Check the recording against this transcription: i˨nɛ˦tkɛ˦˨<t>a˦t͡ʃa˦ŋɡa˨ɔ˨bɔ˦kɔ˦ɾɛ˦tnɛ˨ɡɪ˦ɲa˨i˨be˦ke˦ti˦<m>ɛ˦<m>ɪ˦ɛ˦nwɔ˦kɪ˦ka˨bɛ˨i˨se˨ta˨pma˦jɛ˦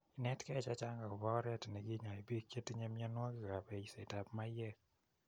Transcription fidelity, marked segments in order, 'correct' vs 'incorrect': incorrect: t͡ʃ, incorrect: ɲ, correct

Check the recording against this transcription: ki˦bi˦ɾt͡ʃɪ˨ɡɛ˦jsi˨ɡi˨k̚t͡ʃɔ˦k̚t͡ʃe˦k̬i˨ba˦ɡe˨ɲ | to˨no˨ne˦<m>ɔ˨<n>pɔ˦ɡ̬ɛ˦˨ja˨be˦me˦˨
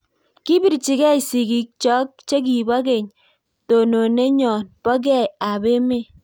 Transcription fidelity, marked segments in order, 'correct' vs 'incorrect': incorrect: ɲ, correct

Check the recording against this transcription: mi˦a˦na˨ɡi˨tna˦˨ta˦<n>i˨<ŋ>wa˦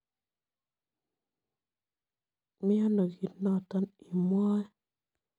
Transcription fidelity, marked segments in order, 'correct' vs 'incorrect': correct, incorrect: m

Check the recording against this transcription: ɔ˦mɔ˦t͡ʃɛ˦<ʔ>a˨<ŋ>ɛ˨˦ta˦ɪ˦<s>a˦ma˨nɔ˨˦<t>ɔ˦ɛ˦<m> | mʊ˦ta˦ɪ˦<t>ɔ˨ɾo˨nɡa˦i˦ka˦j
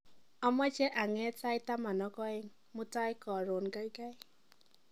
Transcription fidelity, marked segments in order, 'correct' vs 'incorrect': correct, correct, incorrect: t, incorrect: k, incorrect: ŋ, incorrect: k

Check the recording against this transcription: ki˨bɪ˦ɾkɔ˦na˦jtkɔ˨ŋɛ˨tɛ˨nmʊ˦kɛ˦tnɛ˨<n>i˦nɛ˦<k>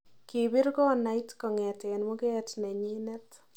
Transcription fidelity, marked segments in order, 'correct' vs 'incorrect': incorrect: ɲ, incorrect: t

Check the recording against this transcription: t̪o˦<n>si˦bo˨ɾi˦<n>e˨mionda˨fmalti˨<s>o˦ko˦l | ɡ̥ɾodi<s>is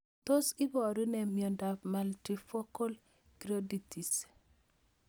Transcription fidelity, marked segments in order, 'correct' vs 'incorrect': incorrect: none, correct, incorrect: f, incorrect: t

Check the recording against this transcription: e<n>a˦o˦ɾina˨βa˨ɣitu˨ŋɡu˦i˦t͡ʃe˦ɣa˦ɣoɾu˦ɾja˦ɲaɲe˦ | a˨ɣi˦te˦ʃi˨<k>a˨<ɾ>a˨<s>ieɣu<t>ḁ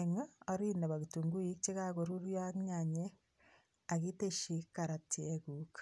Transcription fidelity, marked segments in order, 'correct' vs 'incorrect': incorrect: ŋ, correct, correct, incorrect: t, incorrect: k

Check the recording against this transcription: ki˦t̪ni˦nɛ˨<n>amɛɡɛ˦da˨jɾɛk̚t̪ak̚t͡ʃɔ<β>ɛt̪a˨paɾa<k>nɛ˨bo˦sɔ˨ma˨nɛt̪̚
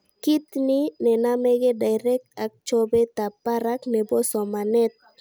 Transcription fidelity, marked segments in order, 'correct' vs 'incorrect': correct, incorrect: b, correct

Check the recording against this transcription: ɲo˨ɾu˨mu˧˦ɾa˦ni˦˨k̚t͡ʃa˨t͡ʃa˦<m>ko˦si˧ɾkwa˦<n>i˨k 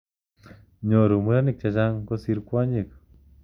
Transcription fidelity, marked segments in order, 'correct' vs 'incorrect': incorrect: ŋ, incorrect: ɲ

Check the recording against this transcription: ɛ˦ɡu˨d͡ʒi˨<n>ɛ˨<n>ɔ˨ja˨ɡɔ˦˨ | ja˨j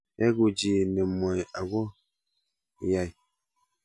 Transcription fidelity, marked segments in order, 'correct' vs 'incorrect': correct, incorrect: m

